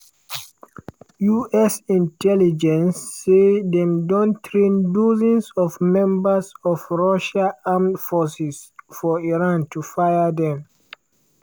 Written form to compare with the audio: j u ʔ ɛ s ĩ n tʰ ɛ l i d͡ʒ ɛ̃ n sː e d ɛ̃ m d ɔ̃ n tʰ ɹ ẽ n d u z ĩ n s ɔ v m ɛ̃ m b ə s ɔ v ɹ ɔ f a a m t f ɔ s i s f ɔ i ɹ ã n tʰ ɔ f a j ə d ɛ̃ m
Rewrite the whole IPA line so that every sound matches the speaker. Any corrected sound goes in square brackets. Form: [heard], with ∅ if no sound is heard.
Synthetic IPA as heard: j u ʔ ɛ s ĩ n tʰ ɛ l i d͡ʒ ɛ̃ n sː e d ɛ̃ m d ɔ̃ n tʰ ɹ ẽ n d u z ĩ n s ɔ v m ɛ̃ m b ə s ɔ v ɹ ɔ [ʃ] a a m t f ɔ s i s f ɔ i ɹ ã n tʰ [u] f a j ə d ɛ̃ m